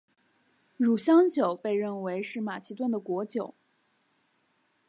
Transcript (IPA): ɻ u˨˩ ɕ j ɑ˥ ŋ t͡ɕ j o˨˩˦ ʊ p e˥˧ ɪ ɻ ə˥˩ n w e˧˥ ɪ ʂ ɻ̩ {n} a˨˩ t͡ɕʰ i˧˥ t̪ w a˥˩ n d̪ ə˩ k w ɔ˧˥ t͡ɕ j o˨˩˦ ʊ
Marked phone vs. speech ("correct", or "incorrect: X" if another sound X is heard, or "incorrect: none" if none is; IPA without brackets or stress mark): incorrect: m